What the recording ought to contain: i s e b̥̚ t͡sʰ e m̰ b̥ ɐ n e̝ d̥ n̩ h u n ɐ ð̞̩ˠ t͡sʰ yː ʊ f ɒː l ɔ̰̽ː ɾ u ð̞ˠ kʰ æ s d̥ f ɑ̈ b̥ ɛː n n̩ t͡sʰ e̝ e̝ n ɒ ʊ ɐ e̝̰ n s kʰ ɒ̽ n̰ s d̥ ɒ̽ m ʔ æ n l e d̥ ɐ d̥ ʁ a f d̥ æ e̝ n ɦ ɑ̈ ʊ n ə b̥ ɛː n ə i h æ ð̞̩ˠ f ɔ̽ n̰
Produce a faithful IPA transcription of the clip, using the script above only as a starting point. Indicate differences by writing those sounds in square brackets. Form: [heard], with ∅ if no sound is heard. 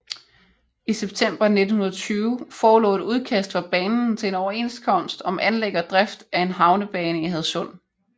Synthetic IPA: i s e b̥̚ t͡sʰ e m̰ b̥ ɐ n e̝ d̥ n̩ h u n ɐ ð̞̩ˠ t͡sʰ yː ʊ f ɒː l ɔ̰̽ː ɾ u ð̞ˠ kʰ æ s d̥ f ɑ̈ b̥ ɛː n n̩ t͡sʰ e̝ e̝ n ɒ ʊ ɐ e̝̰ n s kʰ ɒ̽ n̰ s d̥ ɒ̽ m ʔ æ n l e [ɡ̥] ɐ d̥ ʁ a f d̥ æ e̝ n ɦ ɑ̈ ʊ n ə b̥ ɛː n ə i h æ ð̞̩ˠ [s] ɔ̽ n̰